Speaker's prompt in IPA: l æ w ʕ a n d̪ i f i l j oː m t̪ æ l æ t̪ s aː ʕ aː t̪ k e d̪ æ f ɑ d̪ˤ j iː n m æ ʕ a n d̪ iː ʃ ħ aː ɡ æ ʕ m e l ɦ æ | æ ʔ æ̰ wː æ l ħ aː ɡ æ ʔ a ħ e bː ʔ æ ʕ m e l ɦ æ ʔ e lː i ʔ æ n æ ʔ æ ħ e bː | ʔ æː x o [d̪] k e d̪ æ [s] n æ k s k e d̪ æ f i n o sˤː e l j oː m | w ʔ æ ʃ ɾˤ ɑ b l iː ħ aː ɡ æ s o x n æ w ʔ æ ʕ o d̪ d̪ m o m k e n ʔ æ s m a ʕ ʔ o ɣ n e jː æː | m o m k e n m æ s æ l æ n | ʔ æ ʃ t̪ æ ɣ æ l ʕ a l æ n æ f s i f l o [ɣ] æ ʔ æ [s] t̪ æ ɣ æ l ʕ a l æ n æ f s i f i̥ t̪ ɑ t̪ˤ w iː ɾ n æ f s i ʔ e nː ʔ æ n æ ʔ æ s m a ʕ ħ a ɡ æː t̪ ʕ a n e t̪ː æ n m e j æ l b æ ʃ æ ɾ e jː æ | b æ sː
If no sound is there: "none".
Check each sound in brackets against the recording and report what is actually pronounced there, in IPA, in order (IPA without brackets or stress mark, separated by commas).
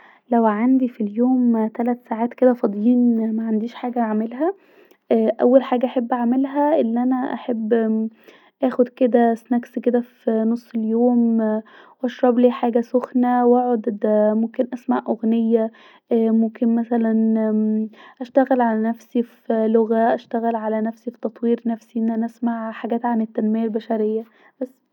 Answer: d̪, s, ɣ, ʃ